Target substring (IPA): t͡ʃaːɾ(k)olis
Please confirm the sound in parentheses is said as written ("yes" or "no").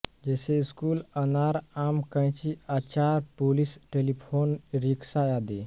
no